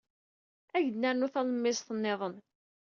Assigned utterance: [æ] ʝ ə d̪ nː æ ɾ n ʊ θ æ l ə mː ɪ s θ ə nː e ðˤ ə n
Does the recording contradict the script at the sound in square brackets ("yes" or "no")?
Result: no